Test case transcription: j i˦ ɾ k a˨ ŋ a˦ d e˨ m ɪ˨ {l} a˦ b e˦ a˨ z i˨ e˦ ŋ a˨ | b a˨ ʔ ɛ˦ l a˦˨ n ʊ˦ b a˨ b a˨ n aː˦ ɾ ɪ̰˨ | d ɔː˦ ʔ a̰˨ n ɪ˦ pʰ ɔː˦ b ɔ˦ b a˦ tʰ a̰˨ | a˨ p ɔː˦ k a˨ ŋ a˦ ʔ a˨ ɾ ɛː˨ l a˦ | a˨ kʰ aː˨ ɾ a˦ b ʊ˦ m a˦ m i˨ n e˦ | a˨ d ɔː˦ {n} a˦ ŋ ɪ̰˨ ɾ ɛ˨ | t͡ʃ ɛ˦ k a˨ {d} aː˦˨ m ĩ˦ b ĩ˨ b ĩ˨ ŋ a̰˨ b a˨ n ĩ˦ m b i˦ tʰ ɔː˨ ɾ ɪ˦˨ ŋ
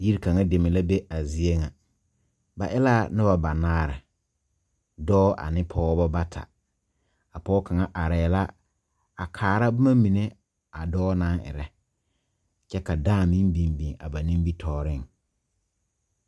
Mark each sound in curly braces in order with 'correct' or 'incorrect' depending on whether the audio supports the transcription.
correct, correct, correct

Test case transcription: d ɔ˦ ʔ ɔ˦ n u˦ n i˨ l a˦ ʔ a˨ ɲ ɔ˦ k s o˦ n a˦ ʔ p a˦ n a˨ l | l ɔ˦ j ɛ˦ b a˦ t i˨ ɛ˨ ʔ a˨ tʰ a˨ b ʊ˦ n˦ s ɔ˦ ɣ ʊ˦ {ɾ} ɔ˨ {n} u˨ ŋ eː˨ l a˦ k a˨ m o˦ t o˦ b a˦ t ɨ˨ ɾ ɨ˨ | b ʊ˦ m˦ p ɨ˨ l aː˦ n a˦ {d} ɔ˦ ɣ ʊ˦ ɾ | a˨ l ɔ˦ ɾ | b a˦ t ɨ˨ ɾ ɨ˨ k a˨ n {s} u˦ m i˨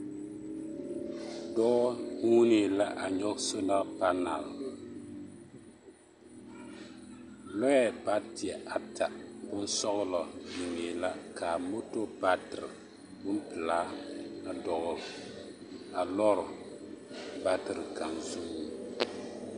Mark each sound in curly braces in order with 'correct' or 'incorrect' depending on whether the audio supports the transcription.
incorrect, incorrect, correct, incorrect

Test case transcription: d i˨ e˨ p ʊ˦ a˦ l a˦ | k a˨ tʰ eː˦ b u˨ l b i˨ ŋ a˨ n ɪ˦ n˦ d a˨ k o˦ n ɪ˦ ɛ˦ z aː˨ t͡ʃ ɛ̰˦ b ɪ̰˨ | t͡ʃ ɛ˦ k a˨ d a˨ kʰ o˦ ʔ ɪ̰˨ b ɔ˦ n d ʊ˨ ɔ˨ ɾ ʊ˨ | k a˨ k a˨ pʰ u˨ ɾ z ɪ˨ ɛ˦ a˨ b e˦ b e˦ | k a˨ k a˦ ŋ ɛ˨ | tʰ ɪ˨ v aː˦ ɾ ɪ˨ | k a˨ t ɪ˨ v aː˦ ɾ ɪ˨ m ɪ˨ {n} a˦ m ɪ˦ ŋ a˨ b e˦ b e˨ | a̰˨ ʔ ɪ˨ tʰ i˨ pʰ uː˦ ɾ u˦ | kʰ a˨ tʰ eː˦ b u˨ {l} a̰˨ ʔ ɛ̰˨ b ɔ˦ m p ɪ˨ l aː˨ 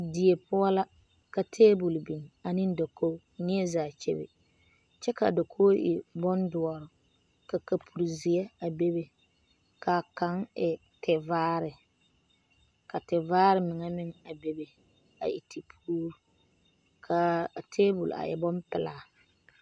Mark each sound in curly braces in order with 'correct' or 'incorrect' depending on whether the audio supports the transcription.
incorrect, correct

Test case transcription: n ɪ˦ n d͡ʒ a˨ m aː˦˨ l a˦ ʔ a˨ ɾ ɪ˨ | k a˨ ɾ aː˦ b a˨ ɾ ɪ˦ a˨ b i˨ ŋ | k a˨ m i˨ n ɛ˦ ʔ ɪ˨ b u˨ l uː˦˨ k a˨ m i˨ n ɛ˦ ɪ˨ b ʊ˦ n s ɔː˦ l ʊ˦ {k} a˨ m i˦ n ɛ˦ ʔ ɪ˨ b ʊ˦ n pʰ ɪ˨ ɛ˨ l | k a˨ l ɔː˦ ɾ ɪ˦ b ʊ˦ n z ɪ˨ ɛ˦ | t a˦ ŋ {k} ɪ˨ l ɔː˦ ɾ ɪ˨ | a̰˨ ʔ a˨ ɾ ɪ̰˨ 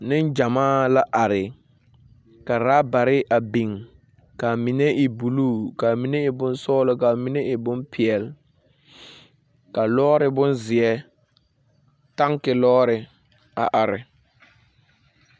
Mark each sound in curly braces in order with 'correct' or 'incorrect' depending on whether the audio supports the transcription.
correct, correct

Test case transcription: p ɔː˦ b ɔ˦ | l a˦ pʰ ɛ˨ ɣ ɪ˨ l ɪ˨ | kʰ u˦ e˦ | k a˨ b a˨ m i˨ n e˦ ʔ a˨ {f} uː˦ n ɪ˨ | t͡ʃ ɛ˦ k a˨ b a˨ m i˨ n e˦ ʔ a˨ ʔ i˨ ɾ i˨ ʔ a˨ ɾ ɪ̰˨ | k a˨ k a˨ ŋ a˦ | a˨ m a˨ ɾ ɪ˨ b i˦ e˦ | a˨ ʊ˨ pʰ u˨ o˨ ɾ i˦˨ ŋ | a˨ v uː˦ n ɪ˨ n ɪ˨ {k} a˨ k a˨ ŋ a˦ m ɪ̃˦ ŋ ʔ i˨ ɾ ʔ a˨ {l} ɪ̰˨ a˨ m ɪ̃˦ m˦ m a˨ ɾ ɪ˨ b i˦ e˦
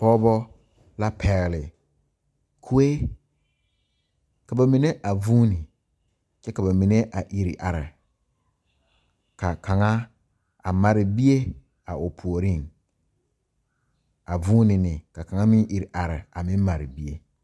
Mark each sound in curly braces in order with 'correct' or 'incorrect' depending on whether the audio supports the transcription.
incorrect, correct, incorrect

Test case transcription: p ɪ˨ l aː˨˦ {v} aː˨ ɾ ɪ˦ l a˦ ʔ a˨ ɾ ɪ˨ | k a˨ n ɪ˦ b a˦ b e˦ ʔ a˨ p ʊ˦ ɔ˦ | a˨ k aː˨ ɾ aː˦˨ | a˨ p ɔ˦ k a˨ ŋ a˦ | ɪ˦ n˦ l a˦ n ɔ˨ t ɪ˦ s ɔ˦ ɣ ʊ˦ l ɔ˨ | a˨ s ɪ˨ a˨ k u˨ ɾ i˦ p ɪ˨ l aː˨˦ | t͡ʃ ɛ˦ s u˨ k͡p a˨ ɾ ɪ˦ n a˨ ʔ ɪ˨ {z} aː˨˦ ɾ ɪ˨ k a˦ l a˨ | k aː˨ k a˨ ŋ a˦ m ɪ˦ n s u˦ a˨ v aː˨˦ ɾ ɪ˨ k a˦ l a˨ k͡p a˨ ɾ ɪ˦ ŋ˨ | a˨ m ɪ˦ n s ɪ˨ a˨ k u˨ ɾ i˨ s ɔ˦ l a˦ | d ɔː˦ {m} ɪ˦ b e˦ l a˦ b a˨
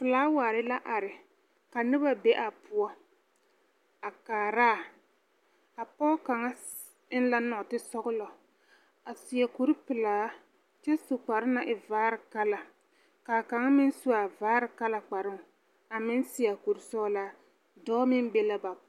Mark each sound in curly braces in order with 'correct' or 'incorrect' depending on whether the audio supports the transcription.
incorrect, incorrect, correct

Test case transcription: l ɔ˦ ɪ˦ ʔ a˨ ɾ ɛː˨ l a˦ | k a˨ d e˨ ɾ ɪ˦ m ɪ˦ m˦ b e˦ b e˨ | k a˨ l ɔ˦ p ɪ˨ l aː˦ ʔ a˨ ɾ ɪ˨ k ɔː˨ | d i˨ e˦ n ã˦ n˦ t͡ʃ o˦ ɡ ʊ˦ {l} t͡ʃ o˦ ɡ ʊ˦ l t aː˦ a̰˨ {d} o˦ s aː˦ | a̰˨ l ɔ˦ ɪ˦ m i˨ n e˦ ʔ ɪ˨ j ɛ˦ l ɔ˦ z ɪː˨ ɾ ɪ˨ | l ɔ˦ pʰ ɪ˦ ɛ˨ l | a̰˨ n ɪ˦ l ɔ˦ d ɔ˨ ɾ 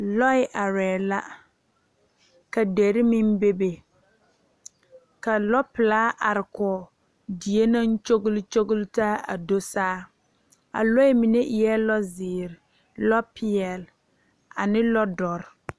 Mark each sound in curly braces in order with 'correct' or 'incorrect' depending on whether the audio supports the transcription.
correct, correct

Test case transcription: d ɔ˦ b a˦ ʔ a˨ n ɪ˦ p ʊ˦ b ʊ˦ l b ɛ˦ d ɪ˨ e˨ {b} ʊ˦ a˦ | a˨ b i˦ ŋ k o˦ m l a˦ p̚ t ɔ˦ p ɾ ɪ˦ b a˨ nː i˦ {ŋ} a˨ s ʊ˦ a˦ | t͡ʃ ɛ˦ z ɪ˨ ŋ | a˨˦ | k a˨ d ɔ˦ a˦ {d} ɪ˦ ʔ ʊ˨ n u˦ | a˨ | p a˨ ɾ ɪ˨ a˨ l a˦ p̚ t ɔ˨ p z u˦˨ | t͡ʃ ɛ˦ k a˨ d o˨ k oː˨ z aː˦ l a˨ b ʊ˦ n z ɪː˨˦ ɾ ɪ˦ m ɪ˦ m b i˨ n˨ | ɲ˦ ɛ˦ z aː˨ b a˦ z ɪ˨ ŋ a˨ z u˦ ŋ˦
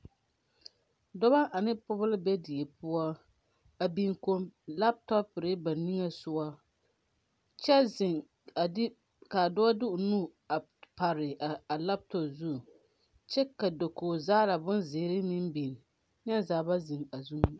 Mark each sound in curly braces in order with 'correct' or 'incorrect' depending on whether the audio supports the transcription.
incorrect, correct, correct

